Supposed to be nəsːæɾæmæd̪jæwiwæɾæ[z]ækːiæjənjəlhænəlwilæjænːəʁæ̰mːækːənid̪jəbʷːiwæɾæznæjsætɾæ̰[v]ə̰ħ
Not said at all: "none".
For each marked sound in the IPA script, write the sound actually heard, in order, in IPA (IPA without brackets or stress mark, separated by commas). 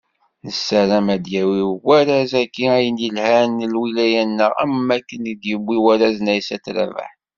z, v